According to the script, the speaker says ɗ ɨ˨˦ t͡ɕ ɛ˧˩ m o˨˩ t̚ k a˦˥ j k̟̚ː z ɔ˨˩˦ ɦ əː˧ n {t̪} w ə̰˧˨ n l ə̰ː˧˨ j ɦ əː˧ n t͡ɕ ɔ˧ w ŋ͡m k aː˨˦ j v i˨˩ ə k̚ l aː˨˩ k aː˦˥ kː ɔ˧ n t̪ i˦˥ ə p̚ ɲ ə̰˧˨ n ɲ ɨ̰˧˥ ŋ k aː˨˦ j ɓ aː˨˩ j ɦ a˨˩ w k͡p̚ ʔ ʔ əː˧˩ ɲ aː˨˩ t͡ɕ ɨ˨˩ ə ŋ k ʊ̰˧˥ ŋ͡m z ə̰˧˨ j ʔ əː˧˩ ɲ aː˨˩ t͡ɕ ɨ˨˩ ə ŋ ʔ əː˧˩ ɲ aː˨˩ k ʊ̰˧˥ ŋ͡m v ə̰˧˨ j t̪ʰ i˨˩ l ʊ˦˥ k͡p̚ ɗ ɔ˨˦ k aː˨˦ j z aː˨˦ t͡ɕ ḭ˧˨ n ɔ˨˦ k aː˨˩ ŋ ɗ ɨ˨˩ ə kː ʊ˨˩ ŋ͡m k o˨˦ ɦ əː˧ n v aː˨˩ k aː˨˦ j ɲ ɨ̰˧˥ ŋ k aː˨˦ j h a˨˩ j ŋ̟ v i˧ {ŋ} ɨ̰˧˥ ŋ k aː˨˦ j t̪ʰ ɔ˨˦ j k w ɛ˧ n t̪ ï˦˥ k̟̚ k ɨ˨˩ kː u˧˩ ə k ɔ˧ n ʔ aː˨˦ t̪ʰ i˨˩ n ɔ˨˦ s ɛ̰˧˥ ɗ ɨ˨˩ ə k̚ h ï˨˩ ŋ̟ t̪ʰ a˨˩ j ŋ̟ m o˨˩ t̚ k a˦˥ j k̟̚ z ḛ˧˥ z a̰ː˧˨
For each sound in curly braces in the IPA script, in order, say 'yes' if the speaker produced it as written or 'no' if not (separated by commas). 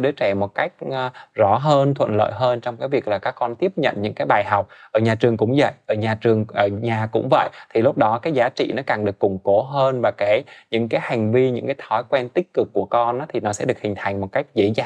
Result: no, no